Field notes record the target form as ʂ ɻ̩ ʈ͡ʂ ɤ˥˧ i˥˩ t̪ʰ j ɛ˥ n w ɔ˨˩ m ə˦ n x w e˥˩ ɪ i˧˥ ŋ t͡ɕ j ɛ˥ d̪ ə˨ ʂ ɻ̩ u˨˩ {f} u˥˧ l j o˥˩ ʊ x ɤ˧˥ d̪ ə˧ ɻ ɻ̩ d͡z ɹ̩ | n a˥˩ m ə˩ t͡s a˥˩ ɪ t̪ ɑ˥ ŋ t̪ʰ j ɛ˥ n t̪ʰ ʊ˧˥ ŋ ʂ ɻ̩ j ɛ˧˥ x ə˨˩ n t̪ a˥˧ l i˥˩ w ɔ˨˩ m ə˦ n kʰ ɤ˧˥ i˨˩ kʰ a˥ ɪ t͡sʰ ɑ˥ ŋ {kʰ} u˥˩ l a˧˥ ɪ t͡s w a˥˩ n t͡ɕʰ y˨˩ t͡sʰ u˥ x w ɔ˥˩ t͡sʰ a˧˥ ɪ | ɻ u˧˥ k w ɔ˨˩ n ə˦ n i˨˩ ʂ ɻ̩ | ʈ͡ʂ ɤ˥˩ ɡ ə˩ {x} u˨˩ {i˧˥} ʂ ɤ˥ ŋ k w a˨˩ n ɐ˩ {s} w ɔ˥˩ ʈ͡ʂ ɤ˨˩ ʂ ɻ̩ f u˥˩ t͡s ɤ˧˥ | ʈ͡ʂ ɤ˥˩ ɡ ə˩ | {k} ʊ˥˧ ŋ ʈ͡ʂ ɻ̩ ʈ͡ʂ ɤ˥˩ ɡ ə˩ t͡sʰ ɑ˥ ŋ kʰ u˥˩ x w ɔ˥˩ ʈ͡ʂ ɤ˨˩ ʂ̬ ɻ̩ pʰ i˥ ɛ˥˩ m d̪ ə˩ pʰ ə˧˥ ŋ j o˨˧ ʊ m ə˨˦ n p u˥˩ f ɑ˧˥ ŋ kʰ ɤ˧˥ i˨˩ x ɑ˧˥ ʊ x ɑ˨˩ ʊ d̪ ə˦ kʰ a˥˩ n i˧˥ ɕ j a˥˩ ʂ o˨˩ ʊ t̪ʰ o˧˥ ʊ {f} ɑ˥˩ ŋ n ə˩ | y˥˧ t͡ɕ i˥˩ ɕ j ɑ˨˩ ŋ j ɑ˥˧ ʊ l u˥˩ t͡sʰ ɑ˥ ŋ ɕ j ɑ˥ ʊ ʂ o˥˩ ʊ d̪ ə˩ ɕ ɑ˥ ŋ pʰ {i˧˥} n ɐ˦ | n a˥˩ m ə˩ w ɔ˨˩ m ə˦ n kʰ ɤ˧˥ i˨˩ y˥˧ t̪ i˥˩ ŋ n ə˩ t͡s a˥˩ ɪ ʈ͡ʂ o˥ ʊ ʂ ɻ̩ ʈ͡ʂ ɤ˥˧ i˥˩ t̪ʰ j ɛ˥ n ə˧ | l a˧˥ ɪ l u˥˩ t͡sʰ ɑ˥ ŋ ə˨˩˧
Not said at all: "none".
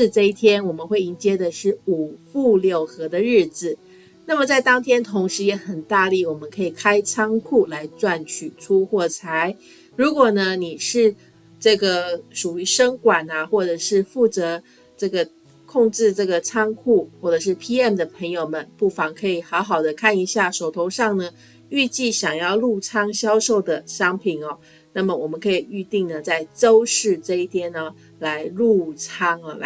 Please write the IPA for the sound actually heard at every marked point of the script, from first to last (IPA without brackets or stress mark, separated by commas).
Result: f, kʰ, ʂ, y˧˥, x, kʰ, ʂ, i˨˩